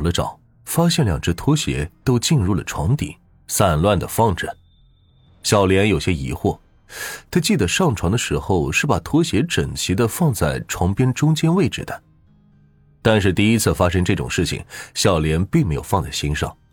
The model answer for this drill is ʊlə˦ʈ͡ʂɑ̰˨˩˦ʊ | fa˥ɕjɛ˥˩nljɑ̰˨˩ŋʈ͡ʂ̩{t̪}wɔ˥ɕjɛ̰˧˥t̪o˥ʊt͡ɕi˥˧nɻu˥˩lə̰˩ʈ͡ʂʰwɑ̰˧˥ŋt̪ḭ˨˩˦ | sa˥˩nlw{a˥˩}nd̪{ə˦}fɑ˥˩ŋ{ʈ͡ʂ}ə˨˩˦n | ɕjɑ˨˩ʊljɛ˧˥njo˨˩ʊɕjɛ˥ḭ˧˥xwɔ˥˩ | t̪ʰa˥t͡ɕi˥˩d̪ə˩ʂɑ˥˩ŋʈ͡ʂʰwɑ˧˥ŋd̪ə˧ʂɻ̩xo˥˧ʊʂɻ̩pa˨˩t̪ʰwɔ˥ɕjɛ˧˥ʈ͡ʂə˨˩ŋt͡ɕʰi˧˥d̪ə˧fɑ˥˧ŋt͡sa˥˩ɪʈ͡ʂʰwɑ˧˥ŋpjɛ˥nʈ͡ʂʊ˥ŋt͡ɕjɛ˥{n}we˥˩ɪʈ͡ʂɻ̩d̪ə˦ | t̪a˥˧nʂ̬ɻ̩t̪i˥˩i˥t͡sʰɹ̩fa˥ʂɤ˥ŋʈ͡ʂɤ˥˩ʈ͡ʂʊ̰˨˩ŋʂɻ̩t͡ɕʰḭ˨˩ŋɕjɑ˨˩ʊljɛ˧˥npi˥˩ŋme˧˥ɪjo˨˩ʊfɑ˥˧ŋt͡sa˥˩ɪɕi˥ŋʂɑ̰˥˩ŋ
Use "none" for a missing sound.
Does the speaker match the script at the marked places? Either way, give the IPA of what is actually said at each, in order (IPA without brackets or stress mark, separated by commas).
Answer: t̪ʰ, a˥˩, ə˩, ʈ͡ʂ, n